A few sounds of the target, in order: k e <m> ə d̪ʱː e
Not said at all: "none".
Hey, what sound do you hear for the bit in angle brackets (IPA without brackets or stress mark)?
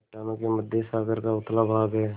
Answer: m